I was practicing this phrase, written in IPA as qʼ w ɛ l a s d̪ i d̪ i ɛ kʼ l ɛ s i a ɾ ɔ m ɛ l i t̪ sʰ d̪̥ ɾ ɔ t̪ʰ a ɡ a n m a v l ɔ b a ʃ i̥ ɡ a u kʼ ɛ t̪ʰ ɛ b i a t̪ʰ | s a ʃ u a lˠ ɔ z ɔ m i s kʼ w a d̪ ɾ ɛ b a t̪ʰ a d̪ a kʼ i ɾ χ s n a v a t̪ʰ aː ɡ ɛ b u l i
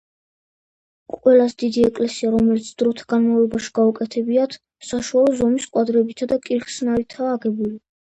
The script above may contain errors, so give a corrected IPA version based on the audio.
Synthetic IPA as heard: qʼ w ɛ l a s d̪ i d̪ i ɛ kʼ l ɛ s i a ɾ ɔ m ɛ l i t̪ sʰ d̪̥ ɾ ɔ t̪ʰ a ɡ a n m a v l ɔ b a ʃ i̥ ɡ a u kʼ ɛ t̪ʰ ɛ b i a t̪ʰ | s a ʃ u a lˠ ɔ z ɔ m i s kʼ w a d̪ ɾ ɛ b i t̪ʰ a d̪ a kʼ i ɾ χ s n a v i t̪ʰ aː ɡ ɛ b u l i